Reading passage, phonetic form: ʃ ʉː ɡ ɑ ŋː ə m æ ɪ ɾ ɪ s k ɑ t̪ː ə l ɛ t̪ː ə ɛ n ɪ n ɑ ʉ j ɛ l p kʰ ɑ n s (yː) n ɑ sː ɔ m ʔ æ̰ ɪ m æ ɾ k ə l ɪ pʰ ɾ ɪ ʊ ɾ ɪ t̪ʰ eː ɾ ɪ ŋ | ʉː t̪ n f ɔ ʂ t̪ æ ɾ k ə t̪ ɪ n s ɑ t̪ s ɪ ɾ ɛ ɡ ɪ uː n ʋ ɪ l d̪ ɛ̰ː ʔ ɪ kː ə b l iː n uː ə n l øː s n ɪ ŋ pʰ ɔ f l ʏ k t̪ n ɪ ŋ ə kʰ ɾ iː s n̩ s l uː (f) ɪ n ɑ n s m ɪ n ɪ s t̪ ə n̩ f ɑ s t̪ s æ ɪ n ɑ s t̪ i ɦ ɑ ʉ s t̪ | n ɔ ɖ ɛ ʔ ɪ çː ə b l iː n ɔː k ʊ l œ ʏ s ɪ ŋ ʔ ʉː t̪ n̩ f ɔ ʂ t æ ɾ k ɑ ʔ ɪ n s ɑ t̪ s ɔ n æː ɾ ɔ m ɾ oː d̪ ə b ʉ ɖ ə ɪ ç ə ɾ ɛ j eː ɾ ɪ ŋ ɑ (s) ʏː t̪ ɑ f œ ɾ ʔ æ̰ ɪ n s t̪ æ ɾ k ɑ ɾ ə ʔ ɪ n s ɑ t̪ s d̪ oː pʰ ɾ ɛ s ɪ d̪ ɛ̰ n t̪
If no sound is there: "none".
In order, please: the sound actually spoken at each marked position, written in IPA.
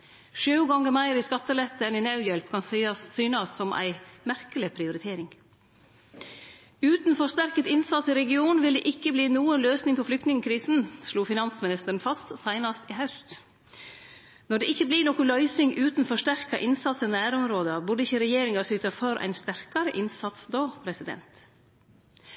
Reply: yː, f, s

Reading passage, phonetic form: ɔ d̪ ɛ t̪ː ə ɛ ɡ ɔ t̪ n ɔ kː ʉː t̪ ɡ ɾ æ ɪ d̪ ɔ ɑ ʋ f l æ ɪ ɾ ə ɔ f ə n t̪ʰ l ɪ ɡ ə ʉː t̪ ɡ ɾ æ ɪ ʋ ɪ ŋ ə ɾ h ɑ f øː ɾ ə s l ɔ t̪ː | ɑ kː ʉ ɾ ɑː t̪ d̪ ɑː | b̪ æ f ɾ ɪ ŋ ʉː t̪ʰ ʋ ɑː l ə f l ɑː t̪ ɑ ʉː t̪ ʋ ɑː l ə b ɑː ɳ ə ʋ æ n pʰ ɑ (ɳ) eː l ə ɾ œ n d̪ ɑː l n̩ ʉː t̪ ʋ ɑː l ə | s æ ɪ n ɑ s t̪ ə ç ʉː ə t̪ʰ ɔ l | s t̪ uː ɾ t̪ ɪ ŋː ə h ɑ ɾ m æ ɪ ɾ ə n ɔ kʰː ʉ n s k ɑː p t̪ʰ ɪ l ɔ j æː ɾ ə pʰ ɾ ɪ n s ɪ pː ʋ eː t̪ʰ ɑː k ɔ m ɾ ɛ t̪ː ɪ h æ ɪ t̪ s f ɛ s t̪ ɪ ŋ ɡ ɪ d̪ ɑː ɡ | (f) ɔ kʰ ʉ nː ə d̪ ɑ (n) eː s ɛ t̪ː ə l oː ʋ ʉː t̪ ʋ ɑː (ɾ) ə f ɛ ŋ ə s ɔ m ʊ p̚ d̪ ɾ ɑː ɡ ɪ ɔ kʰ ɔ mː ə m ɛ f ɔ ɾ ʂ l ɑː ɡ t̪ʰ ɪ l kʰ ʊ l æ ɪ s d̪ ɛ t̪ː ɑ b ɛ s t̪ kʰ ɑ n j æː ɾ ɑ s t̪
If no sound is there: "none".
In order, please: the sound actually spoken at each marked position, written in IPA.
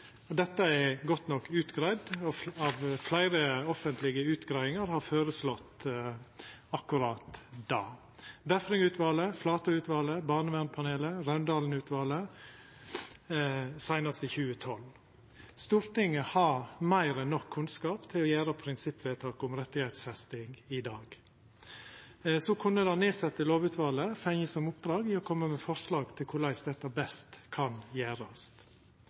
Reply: n, s, n, l

